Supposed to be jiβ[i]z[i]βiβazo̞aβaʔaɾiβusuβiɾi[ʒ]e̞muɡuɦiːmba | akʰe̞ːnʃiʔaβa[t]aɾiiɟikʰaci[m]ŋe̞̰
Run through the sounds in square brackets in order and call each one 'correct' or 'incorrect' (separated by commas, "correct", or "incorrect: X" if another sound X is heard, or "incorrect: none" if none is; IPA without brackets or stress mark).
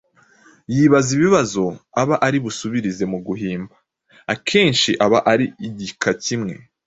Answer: incorrect: a, correct, incorrect: z, incorrect: ʔ, correct